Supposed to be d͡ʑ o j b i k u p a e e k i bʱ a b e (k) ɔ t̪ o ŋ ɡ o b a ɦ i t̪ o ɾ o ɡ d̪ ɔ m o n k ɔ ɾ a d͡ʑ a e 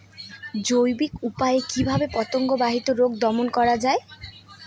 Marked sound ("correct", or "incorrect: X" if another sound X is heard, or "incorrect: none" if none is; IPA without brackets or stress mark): incorrect: p